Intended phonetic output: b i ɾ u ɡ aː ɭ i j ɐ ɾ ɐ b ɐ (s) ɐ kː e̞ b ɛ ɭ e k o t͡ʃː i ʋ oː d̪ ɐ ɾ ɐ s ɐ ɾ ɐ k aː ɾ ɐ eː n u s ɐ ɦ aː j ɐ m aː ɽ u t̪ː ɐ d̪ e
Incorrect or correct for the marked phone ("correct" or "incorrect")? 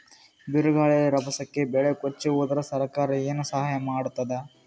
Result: correct